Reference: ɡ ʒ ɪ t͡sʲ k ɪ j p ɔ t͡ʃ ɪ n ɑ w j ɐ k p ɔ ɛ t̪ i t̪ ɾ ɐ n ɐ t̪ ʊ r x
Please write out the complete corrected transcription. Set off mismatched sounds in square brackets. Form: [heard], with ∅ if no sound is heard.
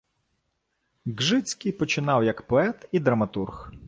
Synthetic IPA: ɡ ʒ ɪ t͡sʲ k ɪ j p ɔ t͡ʃ ɪ n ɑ w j ɐ k p ɔ ɛ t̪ i [d̪] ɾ ɐ [m] ɐ t̪ [u] r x